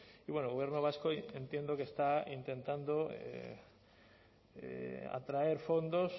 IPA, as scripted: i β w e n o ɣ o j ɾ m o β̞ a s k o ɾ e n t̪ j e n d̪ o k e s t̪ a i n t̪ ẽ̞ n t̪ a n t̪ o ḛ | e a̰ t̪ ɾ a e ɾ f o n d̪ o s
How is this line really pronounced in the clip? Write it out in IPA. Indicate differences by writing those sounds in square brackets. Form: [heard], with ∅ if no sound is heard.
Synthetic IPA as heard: i β w e n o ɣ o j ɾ [n] o β̞ a s k o [∅] e n t̪ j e n d̪ o k e s t̪ a i n t̪ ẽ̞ n t̪ a n [d̪] o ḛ | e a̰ t̪ ɾ a e ɾ f o n d̪ o s